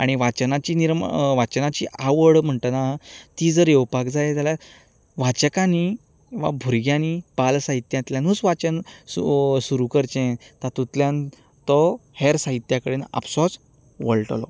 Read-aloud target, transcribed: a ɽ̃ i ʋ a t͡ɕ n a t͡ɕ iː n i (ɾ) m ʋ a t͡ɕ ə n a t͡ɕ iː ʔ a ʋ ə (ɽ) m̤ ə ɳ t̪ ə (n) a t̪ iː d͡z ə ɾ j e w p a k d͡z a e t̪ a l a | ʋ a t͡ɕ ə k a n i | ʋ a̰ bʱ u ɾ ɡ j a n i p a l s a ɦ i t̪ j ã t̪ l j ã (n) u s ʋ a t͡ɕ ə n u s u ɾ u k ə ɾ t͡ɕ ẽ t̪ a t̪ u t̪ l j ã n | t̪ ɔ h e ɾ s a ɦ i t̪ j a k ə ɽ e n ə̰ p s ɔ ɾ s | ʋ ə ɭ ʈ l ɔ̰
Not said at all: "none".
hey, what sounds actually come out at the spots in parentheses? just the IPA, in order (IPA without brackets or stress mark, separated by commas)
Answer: ɾ, ɽ, n, n